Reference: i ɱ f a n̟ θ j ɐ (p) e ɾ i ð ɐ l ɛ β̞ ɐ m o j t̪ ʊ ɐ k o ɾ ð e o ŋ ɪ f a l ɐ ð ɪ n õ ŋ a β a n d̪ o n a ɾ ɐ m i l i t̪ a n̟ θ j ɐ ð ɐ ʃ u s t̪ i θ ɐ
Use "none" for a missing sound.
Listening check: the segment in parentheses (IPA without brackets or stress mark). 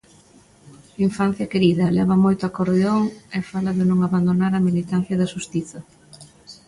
k